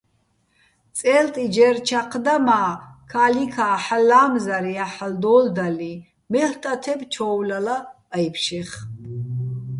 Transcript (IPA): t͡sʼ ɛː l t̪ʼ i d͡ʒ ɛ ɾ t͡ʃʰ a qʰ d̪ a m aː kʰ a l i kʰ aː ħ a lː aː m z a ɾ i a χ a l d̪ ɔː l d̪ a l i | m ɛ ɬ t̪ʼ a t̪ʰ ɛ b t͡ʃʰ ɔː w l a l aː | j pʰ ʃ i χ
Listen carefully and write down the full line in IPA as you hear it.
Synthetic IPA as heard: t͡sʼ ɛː l t̪ʼ i d͡ʒ ɛ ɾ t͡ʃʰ a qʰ d̪ a m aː kʰ a l i kʰ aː ħ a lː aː m z a ɾ i a ħ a l d̪ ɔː l d̪ a l i | m ɛ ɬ t̪ʼ a t̪ʰ ɛ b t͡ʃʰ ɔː w l a l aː | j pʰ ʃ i χ